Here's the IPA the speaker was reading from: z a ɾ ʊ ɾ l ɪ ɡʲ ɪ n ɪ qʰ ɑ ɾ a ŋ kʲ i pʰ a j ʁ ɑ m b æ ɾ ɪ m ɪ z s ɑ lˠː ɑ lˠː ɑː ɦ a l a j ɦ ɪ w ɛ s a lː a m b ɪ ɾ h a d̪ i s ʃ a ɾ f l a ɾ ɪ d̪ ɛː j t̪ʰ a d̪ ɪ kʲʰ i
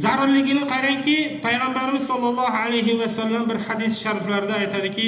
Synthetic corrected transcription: z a ɾ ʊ ɾ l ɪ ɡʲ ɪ n ɪ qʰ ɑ ɾ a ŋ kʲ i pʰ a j ʁ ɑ m b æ ɾ ɪ m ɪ z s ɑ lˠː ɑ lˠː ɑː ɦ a l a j ɦ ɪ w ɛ s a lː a m b ɪ ɾ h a d̪ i s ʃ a ɾ f l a ɾ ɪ d̪ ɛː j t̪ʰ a d̪ ɪ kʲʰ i